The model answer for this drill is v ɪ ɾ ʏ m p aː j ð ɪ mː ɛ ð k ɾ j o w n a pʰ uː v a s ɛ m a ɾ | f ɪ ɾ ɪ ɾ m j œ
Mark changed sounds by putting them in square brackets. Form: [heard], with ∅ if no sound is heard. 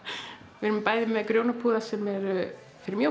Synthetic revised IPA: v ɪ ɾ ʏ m p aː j ð ɪ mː ɛ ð k ɾ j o w n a pʰ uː [ð] a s ɛ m [ɛ] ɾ | f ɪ ɾ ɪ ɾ m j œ